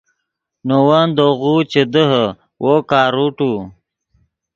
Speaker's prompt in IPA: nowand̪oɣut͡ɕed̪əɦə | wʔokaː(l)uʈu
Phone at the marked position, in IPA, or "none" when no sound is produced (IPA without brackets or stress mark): ɾ